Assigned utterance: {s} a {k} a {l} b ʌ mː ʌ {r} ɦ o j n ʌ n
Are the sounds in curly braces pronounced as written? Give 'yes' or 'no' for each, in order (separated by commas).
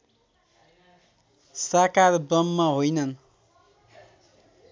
yes, yes, no, no